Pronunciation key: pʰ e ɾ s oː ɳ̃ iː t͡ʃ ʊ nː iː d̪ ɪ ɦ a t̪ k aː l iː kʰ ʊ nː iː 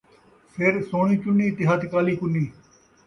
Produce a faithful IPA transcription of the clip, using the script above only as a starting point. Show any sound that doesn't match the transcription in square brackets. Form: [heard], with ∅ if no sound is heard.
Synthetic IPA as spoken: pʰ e ɾ s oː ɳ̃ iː t͡ʃ ʊ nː iː [t̪] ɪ ɦ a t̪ k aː l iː [k] ʊ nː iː